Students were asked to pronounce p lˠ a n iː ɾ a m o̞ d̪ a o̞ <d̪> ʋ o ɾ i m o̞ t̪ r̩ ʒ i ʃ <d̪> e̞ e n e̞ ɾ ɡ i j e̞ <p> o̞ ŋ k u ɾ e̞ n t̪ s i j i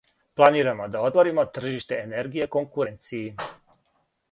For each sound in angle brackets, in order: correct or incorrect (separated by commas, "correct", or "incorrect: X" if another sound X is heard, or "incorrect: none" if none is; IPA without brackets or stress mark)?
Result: incorrect: t̪, incorrect: t̪, incorrect: k